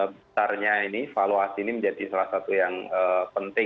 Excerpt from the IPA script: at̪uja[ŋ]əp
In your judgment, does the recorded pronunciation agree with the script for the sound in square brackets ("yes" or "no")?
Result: yes